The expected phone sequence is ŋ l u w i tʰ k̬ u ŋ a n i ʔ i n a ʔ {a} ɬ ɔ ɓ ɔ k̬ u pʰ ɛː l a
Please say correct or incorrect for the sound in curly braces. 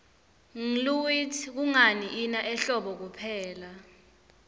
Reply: incorrect